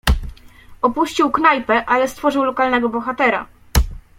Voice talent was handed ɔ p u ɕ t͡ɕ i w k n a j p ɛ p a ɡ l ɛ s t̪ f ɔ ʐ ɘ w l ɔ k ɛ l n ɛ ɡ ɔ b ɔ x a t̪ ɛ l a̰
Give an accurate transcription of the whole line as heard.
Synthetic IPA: ɔ p u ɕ t͡ɕ i w k n a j p ɛ ʔ a l ɛ s t̪ f ɔ ʐ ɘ w l ɔ k a l n ɛ ɡ ɔ b ɔ x a t̪ ɛ ɾ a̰